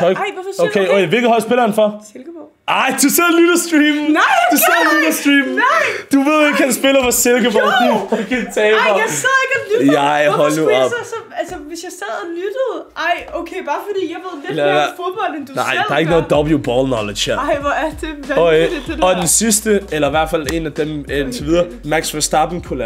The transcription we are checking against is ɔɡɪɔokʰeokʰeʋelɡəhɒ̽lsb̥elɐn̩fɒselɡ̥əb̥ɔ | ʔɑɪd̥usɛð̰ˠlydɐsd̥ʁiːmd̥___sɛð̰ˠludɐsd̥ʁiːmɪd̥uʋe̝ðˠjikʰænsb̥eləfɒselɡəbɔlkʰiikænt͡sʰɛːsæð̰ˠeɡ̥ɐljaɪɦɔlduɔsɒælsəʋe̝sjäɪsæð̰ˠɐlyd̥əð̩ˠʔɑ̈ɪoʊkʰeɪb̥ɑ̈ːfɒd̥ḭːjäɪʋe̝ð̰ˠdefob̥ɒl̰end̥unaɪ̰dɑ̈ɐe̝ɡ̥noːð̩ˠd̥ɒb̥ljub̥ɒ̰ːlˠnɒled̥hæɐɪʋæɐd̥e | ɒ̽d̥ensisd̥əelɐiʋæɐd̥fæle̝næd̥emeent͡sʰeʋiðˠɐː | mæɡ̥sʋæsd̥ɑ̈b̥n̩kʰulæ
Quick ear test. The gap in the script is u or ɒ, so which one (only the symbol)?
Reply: u